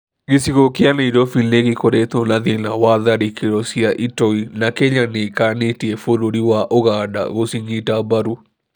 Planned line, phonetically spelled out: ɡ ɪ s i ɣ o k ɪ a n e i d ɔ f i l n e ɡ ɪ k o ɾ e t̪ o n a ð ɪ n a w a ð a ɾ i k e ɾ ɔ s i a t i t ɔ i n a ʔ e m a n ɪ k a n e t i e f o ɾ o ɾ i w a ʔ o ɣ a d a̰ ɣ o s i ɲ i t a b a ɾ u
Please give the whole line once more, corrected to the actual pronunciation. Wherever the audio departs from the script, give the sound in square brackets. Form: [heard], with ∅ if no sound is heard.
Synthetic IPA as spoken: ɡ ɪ s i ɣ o k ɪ a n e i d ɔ f i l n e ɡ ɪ k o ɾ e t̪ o n a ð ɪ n a w a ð a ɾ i k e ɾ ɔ s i a [ʔ] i t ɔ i n a [k] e [ɲ] a n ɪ k a n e t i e f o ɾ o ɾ i w a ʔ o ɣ a d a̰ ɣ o s i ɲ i t a b a ɾ u

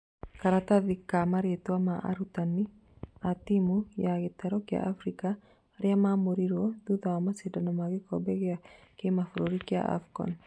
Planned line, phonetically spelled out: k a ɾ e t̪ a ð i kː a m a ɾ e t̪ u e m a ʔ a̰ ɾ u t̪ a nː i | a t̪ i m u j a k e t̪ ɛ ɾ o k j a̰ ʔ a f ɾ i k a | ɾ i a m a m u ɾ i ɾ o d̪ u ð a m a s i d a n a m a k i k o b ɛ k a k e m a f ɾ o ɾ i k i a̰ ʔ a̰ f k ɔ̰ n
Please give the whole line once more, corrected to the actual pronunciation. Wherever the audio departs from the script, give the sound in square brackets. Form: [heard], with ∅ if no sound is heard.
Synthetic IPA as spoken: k a ɾ [a] t̪ a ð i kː a m a ɾ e t̪ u [a] m a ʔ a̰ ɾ u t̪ a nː i | a t̪ i m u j a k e t̪ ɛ ɾ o k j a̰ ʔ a f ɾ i k a | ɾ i a m a m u ɾ i ɾ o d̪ u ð a m a s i d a n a m a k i k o b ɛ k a k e m a f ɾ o ɾ i k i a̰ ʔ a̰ f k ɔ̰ n

